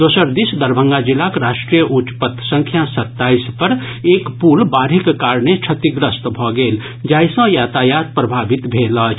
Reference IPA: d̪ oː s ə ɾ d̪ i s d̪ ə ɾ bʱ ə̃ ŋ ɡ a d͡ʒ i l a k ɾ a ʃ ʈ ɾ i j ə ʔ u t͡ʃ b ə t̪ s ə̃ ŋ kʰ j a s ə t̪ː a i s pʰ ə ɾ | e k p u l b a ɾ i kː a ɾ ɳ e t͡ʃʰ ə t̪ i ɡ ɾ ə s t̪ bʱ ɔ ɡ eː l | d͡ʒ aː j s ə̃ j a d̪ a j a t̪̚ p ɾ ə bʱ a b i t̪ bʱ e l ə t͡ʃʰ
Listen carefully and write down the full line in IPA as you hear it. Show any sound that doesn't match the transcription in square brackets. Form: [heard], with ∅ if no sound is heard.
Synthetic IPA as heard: d̪ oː s ə ɾ d̪ i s d̪ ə ɾ bʱ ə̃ ŋ ɡ a d͡ʒ i l a k ɾ a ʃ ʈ ɾ i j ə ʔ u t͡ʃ [p] ə t̪ s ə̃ ŋ kʰ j a s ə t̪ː a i s [p] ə ɾ | e k p u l b a ɾ i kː a ɾ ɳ e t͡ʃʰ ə t̪ i ɡ ɾ ə s t̪ bʱ ɔ ɡ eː l | d͡ʒ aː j s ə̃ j a [t̪] a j a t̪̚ p ɾ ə bʱ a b i t̪ bʱ e l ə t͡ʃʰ